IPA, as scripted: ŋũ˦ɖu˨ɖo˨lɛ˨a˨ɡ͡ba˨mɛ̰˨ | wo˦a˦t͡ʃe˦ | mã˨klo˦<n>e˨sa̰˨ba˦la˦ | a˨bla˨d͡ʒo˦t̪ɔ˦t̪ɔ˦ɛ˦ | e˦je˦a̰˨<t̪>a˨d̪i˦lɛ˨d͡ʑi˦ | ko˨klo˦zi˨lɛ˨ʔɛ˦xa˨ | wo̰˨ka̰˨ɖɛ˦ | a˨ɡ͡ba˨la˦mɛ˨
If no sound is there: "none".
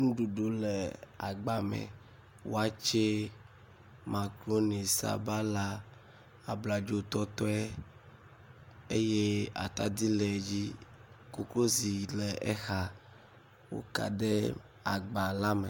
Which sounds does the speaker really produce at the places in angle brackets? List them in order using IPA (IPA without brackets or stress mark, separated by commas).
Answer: n, t̪